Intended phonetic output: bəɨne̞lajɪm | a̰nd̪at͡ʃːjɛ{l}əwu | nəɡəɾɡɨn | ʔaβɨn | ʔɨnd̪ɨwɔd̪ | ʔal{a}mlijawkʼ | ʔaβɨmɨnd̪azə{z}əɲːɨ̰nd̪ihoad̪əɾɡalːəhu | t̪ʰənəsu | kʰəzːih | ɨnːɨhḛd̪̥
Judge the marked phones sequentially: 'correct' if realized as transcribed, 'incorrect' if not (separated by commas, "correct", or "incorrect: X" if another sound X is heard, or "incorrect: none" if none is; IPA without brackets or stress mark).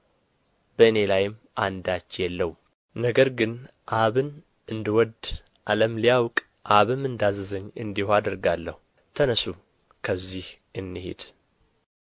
incorrect: lː, incorrect: ə, correct